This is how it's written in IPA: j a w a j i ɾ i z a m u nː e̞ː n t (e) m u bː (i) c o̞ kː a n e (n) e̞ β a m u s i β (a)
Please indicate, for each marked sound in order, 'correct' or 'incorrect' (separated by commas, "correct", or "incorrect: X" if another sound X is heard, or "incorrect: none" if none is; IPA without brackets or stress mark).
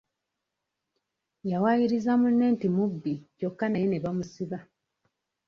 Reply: incorrect: i, correct, correct, correct